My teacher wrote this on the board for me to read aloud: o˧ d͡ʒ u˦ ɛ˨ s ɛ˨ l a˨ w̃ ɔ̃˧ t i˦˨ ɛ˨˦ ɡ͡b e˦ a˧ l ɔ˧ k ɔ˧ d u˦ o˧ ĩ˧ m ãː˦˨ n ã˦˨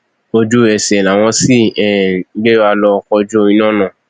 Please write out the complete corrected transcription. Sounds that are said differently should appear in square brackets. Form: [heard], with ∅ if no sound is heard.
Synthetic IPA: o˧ d͡ʒ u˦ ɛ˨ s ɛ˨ l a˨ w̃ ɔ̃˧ [s] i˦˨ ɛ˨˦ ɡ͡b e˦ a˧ l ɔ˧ k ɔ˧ [d͡ʒ] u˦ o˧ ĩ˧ [n] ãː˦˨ n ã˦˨